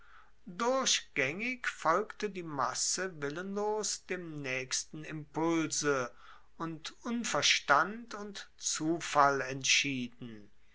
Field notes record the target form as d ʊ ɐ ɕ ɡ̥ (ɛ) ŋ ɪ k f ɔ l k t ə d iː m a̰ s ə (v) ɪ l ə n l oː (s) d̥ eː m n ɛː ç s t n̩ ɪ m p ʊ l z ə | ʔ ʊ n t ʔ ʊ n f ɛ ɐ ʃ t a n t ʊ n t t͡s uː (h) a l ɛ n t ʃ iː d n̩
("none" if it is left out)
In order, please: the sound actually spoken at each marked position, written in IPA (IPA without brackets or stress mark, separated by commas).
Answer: ɛ, v, s, f